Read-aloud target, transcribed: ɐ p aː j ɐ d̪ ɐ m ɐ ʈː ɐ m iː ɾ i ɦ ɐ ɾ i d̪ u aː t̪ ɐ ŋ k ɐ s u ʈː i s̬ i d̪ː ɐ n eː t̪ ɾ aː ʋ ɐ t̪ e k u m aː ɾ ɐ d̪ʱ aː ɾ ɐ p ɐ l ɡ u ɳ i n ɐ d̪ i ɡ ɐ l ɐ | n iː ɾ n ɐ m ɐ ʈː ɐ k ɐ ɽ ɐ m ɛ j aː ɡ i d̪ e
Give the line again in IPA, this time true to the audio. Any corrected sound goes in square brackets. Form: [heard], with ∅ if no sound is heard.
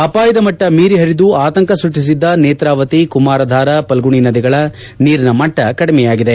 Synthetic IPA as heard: ɐ p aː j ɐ d̪ ɐ m ɐ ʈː ɐ m iː ɾ i ɦ ɐ ɾ i d̪ u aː t̪ ɐ ŋ k ɐ s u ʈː i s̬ i d̪ː ɐ n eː t̪ ɾ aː ʋ ɐ t̪ [i] k u m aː ɾ ɐ d̪ʱ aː ɾ ɐ p ɐ l ɡ u ɳ i n ɐ d̪ i ɡ ɐ [ɭ] ɐ | n iː ɾ n ɐ m ɐ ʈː ɐ k ɐ ɽ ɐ m ɛ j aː ɡ i d̪ e